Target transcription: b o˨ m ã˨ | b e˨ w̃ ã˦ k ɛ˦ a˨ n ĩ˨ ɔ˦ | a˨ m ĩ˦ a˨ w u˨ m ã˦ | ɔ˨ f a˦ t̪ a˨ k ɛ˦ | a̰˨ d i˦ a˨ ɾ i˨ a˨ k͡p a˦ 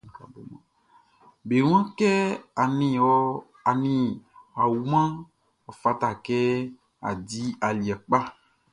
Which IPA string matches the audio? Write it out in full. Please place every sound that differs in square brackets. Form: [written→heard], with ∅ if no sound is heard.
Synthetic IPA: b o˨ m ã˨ | b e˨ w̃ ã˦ k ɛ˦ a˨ n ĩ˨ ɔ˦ | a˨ [m→n] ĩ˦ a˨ w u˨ m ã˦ | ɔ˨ f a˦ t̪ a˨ k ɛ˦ | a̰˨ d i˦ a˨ [ɾ→l] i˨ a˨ k͡p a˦